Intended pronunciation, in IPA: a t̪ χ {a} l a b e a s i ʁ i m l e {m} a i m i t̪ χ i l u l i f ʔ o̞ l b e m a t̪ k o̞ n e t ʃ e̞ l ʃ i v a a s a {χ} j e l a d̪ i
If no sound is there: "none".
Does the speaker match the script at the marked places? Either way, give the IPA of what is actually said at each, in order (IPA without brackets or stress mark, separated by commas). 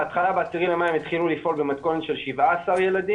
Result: a, m, ʁ